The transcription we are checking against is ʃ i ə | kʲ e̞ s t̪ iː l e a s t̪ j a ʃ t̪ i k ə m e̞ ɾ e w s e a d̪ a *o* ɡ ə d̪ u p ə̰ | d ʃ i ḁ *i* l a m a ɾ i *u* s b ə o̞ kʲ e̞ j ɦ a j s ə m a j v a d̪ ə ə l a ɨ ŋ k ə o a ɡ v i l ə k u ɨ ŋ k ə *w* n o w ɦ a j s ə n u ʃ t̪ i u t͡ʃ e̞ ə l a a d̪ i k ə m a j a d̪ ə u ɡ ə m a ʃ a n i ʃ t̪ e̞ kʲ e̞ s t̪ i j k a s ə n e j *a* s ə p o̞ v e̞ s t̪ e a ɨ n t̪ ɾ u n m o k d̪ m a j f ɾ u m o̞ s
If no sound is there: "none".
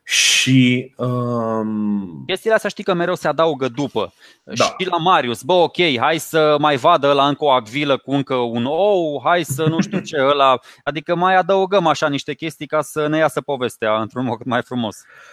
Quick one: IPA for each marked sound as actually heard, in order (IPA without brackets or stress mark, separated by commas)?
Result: u, i, u, u, a